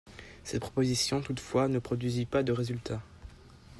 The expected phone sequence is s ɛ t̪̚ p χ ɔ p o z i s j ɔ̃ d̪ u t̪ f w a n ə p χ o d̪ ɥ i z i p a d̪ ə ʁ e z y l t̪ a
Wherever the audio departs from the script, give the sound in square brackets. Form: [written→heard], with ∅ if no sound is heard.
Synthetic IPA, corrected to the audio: s ɛ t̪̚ p χ ɔ p o z i s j ɔ̃ [d̪→t̪] u t̪ f w a n ə p χ [o→ɔ] d̪ ɥ i z i p a d̪ ə ʁ e z y l t̪ a